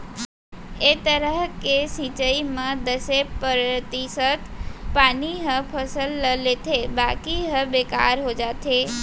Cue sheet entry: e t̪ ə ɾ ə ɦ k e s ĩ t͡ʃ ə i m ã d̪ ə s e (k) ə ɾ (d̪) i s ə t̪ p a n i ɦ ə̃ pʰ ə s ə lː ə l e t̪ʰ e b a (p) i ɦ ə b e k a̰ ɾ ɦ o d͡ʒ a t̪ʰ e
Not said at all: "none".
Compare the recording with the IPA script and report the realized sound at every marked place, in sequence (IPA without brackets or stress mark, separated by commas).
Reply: p, t̪, k